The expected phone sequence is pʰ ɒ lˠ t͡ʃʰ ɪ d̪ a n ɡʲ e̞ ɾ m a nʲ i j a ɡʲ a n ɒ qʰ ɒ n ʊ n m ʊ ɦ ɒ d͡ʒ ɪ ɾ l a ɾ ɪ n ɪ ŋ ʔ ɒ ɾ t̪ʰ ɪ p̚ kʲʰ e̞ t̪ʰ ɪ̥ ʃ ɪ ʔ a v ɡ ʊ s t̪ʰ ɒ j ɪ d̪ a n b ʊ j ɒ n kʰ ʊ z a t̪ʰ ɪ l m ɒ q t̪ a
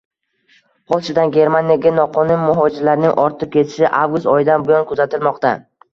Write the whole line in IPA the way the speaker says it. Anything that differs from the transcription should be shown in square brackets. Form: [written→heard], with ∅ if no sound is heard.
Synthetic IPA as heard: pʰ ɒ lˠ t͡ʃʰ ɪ d̪ a n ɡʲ e̞ ɾ m a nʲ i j a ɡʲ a n ɒ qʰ ɒ n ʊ n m ʊ ɦ ɒ d͡ʒ ɪ ɾ l a ɾ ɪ n ɪ ŋ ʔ ɒ ɾ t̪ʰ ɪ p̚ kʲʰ e̞ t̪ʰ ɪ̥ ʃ ɪ ʔ a v ɡ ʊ s [t̪ʰ→t̪] ɒ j ɪ d̪ a n b ʊ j ɒ n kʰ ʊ z a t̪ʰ ɪ l m ɒ q t̪ a